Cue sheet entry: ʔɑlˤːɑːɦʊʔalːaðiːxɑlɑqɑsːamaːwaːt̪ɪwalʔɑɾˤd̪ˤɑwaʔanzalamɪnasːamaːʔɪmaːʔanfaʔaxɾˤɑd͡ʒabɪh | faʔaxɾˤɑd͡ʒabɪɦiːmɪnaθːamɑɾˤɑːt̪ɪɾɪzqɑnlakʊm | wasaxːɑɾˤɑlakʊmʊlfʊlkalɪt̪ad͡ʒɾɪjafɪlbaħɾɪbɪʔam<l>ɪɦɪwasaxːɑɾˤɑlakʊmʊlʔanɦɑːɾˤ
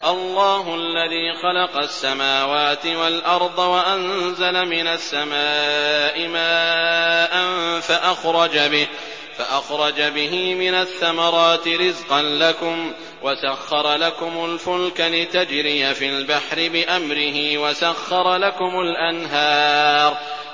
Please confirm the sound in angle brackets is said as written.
no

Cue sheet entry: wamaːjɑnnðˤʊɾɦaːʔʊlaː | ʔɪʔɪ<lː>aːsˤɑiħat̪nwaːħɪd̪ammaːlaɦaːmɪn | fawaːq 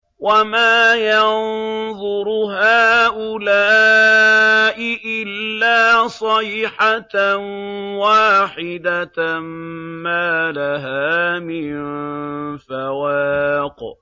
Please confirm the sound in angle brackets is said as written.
yes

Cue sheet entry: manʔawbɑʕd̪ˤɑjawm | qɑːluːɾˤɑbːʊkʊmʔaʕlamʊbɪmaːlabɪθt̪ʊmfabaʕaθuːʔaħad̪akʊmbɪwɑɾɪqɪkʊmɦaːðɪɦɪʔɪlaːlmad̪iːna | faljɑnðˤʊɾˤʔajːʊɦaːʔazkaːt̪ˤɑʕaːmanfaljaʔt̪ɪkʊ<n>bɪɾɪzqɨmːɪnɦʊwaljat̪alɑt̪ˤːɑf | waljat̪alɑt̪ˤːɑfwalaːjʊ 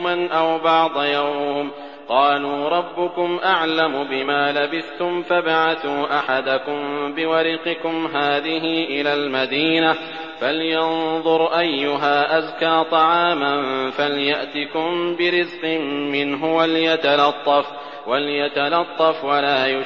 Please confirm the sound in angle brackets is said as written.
no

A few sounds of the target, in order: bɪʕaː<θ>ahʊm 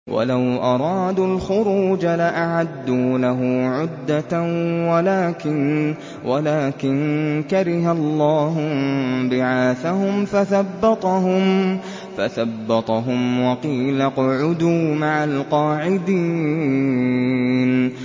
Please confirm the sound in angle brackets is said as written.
yes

